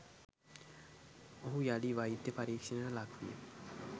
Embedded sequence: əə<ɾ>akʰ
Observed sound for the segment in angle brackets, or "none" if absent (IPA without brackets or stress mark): l